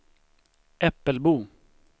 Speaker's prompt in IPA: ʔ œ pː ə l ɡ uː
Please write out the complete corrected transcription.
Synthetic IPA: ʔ ɛ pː ə l b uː